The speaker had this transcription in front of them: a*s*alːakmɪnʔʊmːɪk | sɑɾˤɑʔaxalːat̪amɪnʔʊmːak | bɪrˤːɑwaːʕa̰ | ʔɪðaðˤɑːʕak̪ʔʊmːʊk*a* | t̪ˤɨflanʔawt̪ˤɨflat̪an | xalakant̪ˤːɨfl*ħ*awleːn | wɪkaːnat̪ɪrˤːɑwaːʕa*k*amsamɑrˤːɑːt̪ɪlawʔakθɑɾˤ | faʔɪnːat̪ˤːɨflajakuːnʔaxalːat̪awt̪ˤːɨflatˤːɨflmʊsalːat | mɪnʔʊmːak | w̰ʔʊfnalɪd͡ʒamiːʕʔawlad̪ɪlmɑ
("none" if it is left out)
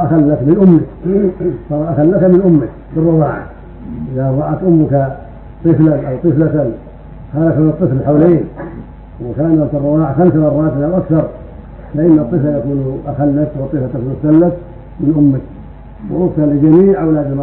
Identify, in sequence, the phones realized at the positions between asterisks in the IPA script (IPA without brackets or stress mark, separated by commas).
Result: x, a, ħ, x